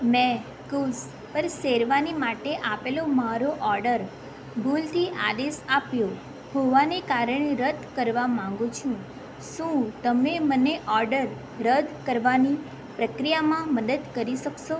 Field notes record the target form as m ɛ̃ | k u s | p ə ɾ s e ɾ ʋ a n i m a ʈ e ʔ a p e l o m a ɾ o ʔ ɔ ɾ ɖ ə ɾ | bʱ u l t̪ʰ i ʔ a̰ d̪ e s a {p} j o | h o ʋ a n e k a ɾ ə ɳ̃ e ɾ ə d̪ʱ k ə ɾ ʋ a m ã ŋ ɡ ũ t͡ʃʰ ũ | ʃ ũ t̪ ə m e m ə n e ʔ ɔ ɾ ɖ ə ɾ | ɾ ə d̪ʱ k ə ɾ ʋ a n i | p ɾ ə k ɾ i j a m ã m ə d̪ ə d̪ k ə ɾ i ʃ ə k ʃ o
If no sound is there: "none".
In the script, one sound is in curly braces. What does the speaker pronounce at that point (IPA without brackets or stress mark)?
p